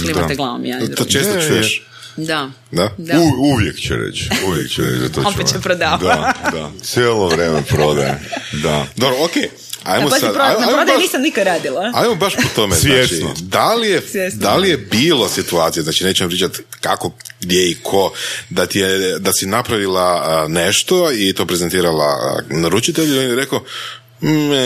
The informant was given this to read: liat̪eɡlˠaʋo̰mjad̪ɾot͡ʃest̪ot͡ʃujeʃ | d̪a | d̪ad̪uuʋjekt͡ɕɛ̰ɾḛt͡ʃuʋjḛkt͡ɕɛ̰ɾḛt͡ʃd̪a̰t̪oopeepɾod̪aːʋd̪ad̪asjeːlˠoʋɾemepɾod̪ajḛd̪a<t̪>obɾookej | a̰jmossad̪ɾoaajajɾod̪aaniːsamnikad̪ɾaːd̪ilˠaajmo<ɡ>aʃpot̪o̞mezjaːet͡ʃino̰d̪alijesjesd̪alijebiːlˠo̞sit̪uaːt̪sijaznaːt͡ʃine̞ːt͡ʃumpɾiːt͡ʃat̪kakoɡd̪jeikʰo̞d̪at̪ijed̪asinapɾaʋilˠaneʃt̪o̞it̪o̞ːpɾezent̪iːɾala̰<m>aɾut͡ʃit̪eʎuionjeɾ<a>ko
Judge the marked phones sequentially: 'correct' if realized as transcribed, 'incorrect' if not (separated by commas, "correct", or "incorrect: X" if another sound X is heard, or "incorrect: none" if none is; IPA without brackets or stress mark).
incorrect: d̪, incorrect: b, incorrect: n, incorrect: e